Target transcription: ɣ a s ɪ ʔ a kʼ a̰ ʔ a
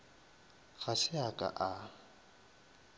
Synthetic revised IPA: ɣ a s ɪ a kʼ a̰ ʔ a